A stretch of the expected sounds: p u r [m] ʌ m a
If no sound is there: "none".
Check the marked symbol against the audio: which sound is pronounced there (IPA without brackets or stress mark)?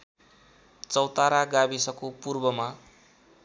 b